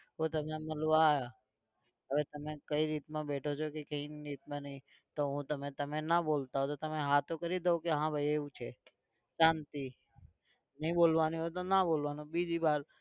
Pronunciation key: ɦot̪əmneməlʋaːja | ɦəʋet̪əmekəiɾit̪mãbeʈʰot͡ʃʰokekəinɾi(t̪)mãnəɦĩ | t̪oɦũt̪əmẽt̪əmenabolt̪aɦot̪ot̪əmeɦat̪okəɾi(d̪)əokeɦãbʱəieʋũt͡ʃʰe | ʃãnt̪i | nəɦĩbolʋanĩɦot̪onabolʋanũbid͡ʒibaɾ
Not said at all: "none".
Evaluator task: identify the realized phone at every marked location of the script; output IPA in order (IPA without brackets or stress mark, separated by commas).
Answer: t̪, d̪